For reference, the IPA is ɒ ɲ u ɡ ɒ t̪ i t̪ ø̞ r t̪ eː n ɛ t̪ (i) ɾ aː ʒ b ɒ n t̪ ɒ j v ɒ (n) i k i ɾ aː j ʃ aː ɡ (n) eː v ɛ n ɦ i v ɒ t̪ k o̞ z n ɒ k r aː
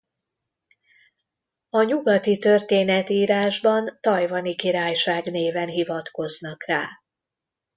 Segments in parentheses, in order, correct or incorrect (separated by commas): incorrect, correct, correct